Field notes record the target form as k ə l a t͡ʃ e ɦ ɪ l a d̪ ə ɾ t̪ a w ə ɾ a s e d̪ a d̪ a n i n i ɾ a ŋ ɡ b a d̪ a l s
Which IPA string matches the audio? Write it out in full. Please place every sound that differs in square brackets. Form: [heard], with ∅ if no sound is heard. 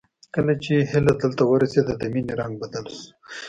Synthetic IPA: k ə l a t͡ʃ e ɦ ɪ l a d̪ ə [l] t̪ a w ə ɾ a s e d̪ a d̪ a [m] i n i ɾ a ŋ ɡ b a d̪ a l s